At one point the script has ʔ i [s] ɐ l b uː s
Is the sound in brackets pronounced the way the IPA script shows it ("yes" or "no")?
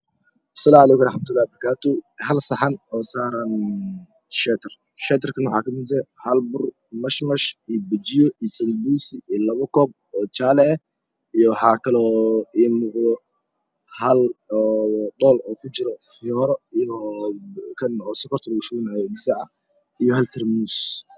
yes